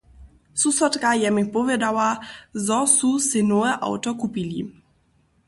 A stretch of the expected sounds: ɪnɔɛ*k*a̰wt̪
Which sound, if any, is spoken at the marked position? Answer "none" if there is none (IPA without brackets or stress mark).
ʔ